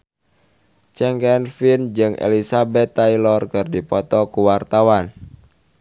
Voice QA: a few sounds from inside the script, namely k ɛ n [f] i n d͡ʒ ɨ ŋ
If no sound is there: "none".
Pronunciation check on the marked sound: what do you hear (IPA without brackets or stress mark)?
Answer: f